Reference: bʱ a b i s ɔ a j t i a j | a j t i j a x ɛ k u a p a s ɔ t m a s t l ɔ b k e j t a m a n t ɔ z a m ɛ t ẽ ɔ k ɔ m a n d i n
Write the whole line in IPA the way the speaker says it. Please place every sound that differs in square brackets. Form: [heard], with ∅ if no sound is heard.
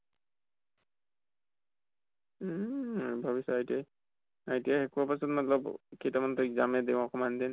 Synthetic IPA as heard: bʱ a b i s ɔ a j t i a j | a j t i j a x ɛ k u a p a s ɔ t m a [∅] t l ɔ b k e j t a m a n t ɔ z a m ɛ [d] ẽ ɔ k ɔ m a n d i n